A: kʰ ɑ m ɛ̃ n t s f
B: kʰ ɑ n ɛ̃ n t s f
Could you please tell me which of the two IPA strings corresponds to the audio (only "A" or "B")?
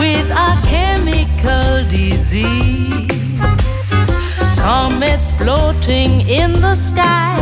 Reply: A